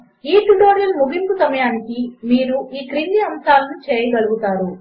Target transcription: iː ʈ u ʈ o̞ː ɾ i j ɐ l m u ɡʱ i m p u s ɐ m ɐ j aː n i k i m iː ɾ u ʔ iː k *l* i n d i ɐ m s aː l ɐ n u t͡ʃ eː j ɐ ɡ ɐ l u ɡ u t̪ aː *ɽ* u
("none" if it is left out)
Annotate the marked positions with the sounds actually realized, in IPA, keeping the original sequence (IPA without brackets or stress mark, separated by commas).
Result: ɾ, ɾ